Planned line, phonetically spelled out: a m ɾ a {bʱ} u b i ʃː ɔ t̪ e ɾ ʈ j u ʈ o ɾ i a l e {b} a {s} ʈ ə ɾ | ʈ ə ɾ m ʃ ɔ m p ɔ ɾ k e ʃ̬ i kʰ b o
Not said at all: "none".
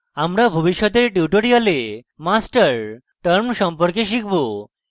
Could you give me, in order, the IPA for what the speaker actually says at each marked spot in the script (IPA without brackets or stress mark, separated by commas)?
bʱ, m, s